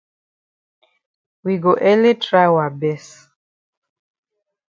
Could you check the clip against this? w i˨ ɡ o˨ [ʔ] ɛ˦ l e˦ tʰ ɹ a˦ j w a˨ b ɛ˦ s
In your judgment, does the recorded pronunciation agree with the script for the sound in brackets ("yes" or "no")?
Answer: yes